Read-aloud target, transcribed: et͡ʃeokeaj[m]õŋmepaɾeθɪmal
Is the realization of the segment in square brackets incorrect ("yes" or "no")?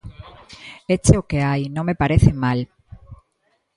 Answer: yes